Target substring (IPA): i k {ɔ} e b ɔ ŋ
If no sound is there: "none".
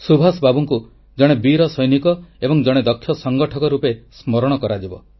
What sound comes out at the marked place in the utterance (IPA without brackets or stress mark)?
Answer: ɔ